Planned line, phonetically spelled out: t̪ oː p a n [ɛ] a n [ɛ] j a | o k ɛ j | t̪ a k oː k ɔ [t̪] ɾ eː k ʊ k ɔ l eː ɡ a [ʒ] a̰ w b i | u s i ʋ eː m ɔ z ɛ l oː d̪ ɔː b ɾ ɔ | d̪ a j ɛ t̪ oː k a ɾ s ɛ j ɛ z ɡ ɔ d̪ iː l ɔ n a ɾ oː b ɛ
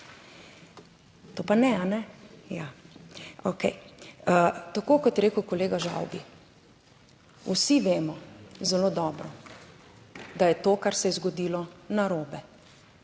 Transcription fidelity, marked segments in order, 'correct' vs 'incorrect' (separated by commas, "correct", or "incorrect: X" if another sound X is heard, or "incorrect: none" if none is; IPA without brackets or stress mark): correct, correct, correct, correct